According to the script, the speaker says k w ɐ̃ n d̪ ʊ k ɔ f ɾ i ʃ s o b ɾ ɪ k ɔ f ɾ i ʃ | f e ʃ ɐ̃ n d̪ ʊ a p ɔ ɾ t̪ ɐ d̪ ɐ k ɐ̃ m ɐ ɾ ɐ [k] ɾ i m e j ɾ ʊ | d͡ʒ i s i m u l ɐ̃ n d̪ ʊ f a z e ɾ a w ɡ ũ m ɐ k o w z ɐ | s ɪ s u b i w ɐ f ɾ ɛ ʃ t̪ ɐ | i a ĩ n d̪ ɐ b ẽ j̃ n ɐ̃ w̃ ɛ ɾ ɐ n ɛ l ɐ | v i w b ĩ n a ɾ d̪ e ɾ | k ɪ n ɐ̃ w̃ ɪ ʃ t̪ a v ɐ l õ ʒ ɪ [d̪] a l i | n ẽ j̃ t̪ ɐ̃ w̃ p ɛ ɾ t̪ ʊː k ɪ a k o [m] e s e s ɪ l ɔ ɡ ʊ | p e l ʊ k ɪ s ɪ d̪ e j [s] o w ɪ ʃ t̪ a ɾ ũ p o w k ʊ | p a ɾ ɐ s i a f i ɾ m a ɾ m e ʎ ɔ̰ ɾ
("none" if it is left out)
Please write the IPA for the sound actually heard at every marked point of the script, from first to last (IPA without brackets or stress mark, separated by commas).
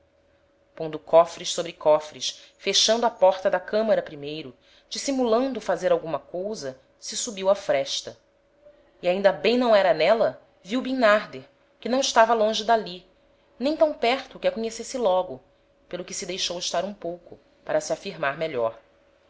p, d̪, ɲ, ʃ